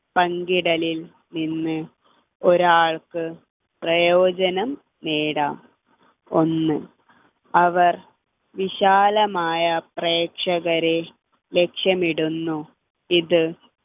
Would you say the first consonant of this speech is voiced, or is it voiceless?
voiceless